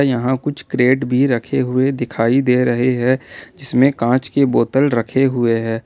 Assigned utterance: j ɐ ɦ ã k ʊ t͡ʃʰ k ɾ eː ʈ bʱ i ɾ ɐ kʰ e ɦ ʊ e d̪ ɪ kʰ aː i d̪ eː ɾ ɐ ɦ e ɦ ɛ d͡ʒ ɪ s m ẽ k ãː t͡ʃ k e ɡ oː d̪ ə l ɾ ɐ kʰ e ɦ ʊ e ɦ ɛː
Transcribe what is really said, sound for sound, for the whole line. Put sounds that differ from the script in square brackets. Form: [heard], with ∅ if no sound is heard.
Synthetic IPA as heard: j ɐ ɦ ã k ʊ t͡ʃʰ k ɾ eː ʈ bʱ i ɾ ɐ kʰ e ɦ ʊ e d̪ ɪ kʰ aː i d̪ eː ɾ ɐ ɦ e ɦ ɛ d͡ʒ ɪ s m ẽ k ãː t͡ʃ k e [b] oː [t̪] ə l ɾ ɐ kʰ e ɦ ʊ e ɦ ɛː